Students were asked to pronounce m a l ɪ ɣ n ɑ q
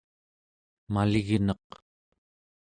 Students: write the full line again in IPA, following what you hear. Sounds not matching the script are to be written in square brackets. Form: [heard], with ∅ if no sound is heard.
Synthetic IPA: m a l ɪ ɣ n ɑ q

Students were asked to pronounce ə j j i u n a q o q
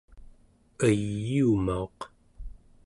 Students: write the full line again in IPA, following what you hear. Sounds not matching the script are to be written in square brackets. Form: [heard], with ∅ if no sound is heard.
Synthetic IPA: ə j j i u [m] a [∅] o q

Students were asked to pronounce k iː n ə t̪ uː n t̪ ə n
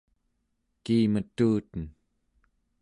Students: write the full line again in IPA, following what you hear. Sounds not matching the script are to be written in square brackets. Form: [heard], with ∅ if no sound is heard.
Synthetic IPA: k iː [m] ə t̪ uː [∅] t̪ ə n

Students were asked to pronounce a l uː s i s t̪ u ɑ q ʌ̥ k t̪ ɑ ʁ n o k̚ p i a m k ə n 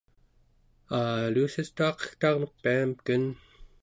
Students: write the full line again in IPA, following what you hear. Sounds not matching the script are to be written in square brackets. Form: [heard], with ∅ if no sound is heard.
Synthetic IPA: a l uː s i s t̪ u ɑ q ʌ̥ [x] t̪ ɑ ʁ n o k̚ p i a m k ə n

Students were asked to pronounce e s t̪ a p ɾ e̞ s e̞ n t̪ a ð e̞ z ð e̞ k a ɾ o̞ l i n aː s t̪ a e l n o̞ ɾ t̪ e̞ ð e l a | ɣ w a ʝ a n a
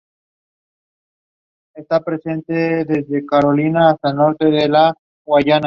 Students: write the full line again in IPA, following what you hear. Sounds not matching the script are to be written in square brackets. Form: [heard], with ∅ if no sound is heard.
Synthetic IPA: e s t̪ a p ɾ e̞ s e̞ n t̪ [e] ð e̞ z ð e̞ k a ɾ o̞ l i n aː s t̪ a e l n o̞ ɾ t̪ e̞ ð e l a | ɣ w a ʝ a n a

